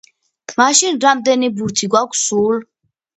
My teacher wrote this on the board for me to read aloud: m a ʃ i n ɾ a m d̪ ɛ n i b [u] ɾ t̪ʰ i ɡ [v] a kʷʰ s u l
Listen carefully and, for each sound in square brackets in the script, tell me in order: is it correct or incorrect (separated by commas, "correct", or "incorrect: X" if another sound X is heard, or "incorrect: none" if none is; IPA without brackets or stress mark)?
correct, incorrect: w